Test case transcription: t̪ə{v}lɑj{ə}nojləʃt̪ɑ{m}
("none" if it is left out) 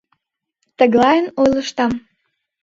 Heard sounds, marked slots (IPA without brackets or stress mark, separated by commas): ɣ, ə, m